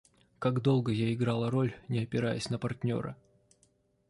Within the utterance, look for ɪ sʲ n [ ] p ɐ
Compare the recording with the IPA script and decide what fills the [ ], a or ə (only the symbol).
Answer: ə